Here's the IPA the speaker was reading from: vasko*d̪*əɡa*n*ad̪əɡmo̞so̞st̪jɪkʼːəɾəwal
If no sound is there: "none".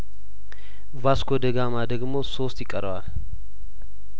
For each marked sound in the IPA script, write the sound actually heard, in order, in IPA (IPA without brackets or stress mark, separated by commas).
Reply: d̪, m